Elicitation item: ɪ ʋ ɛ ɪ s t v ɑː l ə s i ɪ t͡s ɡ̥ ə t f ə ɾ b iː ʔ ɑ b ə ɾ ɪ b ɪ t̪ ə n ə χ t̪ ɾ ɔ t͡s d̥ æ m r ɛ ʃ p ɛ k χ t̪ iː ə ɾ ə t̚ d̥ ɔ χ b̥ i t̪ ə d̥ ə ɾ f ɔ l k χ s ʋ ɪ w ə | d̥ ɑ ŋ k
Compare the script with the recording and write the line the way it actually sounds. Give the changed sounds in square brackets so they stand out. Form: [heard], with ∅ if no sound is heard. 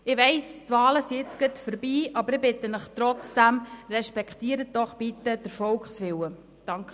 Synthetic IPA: ɪ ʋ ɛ ɪ s t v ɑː l ə s i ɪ t͡s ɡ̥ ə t f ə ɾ b iː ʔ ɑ b ə ɾ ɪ b ɪ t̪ ə n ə χ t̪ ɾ ɔ t͡s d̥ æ m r ɛ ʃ p ɛ k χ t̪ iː ə ɾ ə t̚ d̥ ɔ χ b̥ i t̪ ə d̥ ə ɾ f ɔ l k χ s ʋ ɪ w ə | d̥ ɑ ŋ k